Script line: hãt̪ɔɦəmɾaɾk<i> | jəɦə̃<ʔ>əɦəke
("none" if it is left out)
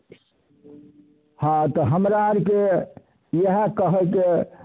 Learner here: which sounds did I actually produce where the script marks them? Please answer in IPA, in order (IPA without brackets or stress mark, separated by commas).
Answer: e, k